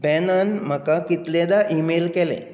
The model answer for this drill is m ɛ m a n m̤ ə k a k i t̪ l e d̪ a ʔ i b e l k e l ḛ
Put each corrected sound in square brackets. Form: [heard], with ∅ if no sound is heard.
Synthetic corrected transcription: [b] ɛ [n] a n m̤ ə k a k i t̪ l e d̪ a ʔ i [m] e l k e l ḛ